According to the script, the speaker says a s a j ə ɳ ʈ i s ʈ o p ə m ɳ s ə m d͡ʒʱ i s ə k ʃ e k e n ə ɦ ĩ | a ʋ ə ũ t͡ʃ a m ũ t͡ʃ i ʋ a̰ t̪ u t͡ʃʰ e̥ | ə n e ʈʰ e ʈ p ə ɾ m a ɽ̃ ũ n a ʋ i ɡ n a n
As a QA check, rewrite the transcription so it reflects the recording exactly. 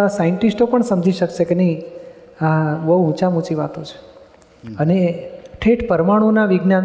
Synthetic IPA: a s a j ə ɳ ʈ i s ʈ o p ə ɳ s ə m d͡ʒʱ i ʃ ə k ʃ e k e n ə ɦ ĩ | a ʋ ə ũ t͡ʃ a m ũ t͡ʃ i ʋ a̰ t̪ o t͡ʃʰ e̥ | ə n e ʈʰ e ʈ p ə ɾ m a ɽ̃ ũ n a ʋ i ɡ n a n